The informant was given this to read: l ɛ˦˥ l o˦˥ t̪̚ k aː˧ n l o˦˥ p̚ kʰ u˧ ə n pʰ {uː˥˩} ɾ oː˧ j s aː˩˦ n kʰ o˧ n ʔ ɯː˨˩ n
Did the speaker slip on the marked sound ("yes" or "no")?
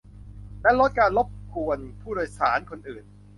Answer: no